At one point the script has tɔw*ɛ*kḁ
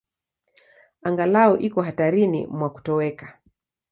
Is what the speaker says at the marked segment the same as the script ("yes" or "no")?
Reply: yes